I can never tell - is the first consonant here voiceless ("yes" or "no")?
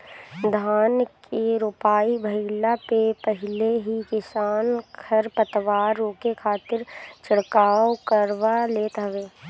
no